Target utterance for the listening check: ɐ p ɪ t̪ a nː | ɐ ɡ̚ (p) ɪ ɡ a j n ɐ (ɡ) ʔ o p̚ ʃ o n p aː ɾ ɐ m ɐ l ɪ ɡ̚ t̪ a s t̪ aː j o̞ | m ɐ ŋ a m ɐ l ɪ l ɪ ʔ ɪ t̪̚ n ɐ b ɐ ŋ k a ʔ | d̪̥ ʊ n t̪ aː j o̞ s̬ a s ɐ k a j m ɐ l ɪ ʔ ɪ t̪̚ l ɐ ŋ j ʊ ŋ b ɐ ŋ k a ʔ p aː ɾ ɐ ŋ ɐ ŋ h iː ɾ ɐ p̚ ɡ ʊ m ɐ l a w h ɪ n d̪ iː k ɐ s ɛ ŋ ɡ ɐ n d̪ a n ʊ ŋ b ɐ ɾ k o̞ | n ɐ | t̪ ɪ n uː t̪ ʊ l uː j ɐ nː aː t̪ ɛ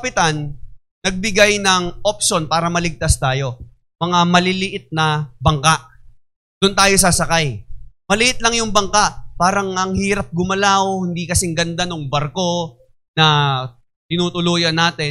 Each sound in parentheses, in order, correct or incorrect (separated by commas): incorrect, incorrect